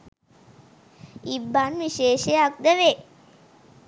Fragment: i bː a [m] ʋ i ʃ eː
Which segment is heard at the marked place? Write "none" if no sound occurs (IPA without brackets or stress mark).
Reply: n